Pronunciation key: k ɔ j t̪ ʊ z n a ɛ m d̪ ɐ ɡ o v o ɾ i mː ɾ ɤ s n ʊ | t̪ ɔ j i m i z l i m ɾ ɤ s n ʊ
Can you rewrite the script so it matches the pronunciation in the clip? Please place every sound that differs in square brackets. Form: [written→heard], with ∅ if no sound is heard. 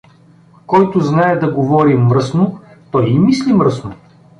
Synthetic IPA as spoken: k ɔ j t̪ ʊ z n a ɛ [m→∅] d̪ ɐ ɡ o v [o→ɔ] ɾ i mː ɾ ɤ s n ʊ | t̪ ɔ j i m i [z→s] l i m ɾ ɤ s n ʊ